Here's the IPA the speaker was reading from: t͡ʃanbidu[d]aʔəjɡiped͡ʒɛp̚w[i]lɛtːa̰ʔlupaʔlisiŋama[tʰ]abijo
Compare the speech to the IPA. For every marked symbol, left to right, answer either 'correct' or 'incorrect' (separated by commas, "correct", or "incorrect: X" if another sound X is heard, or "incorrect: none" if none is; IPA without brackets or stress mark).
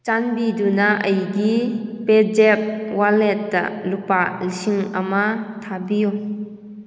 incorrect: n, incorrect: a, correct